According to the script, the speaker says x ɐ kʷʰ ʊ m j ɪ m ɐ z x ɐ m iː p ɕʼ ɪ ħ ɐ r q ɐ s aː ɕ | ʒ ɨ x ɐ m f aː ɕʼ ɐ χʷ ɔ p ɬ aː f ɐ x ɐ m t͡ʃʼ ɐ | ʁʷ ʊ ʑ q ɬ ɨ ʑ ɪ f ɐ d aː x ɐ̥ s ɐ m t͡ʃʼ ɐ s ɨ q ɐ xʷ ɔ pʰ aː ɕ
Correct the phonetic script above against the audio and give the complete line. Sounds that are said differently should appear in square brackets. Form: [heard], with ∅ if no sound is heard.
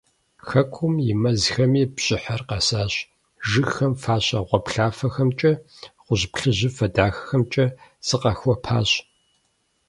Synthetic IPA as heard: x ɐ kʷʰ ʊ m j ɪ m ɐ z x ɐ m iː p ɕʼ ɪ ħ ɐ r q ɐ s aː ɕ | ʒ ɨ x ɐ m f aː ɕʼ ɐ [ʁʷ] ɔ p ɬ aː f ɐ x ɐ m t͡ʃʼ ɐ | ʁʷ ʊ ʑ [p] ɬ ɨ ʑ ɪ f ɐ d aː x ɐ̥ [x] ɐ m t͡ʃʼ ɐ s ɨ q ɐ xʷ ɔ pʰ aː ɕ